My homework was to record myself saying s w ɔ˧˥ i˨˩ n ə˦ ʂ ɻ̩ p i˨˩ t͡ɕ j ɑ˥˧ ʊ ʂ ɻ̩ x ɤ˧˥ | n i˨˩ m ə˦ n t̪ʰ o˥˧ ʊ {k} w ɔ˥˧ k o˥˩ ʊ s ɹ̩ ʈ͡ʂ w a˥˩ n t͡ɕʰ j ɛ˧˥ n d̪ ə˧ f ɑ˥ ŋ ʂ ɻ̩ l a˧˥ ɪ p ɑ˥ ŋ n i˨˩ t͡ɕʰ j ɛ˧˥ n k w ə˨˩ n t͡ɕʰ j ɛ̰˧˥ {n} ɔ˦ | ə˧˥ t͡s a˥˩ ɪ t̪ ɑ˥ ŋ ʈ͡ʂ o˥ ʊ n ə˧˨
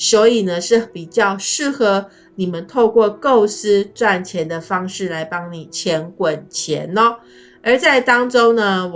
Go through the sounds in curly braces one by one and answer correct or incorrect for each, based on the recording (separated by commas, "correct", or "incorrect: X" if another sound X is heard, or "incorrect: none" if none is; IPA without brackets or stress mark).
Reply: correct, correct